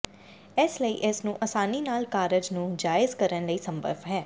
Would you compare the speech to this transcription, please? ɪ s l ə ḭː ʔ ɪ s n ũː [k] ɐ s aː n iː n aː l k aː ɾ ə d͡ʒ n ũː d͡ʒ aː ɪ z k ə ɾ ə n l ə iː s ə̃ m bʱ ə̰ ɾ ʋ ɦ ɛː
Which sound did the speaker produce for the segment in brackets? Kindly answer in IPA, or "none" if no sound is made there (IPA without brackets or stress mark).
ʔ